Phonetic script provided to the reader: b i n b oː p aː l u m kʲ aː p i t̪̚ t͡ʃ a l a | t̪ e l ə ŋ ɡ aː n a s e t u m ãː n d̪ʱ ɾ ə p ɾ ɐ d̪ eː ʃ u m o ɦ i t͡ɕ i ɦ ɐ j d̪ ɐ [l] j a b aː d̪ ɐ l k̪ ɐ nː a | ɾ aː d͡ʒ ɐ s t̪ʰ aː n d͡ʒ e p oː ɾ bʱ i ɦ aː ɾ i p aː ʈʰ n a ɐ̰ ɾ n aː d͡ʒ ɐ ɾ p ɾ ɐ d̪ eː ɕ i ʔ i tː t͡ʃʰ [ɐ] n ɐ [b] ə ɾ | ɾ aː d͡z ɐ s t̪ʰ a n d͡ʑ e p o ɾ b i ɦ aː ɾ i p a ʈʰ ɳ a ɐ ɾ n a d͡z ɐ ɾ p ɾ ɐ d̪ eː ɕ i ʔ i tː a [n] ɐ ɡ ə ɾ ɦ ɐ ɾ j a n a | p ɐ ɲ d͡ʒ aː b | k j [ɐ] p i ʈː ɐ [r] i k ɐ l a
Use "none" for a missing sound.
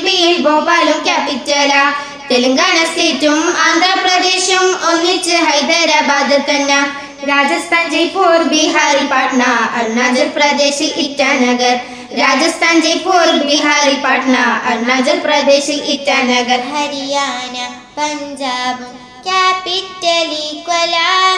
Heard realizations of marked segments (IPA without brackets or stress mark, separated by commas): ɾ, a, ɡ, n, a, l